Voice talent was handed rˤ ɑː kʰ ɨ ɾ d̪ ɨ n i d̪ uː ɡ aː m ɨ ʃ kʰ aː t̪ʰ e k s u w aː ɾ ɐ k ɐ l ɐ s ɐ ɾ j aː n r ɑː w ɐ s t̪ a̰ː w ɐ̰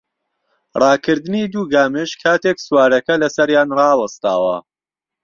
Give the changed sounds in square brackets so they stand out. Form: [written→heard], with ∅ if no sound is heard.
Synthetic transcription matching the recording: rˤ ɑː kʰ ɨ ɾ d̪ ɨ n i d̪ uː ɡ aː m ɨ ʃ kʰ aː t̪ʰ e k s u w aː ɾ ɐ k ɐ l ɐ s ɐ ɾ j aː n r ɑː w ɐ s t̪ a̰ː w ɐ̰